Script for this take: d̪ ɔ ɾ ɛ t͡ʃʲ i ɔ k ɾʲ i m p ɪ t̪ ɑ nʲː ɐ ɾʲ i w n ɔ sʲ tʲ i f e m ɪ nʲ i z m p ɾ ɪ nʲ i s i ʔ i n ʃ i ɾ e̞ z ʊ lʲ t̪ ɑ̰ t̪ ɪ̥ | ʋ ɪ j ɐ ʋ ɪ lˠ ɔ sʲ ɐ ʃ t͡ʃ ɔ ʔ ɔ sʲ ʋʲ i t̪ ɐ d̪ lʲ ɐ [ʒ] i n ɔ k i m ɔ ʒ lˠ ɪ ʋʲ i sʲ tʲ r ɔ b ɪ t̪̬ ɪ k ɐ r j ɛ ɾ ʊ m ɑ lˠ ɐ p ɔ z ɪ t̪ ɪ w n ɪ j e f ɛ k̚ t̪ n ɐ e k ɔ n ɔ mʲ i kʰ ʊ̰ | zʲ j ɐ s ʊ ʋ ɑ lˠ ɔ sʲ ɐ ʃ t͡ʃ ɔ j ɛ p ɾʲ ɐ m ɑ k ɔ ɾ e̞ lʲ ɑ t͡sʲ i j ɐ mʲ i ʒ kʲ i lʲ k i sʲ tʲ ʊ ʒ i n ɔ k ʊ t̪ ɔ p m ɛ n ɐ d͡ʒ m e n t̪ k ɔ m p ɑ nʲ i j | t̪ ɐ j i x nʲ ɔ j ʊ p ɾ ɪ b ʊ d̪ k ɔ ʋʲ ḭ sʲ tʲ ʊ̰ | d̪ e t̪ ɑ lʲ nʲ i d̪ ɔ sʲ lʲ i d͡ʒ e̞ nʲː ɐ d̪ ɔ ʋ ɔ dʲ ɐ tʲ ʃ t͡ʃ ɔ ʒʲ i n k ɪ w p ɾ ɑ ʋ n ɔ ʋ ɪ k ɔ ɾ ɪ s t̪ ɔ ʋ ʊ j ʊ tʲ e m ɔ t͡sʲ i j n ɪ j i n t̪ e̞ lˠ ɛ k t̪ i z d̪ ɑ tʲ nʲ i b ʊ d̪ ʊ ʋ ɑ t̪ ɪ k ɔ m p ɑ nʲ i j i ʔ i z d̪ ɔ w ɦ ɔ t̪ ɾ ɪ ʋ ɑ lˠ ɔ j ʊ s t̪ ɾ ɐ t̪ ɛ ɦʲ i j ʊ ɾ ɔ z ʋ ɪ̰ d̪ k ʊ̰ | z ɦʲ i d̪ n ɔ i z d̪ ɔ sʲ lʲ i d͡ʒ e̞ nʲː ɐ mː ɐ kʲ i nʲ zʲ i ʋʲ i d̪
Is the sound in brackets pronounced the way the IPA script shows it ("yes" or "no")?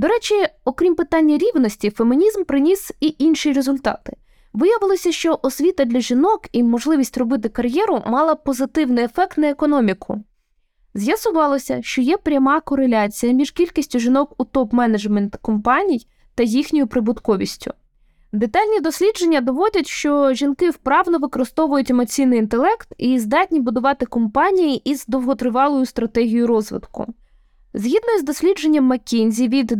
yes